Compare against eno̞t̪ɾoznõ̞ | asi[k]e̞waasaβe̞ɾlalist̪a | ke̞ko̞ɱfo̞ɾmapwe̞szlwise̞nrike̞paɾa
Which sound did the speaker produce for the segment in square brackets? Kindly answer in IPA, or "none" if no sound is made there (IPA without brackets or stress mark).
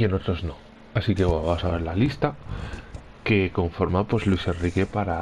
k